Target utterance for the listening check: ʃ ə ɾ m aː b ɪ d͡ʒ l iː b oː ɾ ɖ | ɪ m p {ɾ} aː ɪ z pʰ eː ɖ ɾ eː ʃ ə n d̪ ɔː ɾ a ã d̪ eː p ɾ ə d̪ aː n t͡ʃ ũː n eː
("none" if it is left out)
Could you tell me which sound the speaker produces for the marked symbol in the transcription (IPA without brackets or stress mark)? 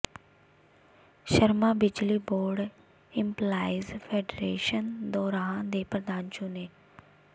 l